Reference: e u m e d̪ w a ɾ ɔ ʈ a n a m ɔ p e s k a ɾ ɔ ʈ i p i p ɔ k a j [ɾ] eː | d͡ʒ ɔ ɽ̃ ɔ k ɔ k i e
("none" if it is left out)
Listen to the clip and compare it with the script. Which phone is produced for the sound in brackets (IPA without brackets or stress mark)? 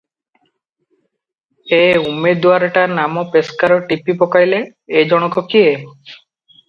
l